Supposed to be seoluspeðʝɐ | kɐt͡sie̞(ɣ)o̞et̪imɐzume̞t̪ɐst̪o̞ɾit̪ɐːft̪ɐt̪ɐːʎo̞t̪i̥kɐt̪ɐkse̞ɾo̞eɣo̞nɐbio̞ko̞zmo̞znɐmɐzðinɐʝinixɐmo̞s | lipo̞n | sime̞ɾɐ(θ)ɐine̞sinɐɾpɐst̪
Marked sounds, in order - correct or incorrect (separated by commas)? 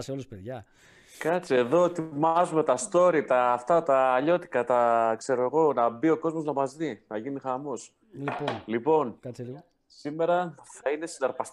incorrect, correct